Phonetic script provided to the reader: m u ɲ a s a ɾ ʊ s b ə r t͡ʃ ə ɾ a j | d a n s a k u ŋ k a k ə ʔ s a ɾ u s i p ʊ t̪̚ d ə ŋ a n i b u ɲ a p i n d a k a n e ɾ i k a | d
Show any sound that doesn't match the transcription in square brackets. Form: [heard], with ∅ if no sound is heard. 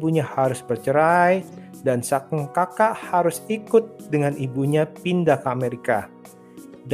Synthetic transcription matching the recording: [b] u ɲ a [h] a ɾ ʊ s b ə r t͡ʃ ə ɾ a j | d a n s a k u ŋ k a k [a] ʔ [h] a ɾ [ʊ] s i [k] ʊ t̪̚ d ə ŋ a n i b u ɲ a p i n d a k a [m] e ɾ i k a | d